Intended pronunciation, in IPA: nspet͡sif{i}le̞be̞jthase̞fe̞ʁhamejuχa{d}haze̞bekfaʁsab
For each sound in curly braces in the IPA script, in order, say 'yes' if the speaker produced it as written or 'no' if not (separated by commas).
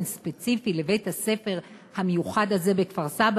yes, yes